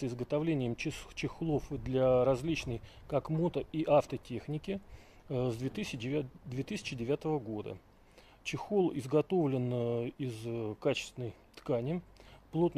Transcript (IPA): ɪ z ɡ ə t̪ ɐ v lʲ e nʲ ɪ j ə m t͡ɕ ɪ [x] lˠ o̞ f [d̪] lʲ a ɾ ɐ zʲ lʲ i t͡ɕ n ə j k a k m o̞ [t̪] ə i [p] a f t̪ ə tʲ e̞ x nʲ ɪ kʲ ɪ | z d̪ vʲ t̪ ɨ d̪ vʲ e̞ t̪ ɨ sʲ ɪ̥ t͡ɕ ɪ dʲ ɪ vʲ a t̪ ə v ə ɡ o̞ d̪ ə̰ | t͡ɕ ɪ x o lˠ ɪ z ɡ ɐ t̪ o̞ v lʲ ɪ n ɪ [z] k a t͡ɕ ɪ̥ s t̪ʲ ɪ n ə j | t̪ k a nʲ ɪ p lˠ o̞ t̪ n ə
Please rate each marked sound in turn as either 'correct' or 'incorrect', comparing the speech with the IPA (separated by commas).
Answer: correct, correct, correct, incorrect, correct